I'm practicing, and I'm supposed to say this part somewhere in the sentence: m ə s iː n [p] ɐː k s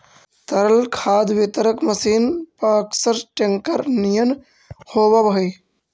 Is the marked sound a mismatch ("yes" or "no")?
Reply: no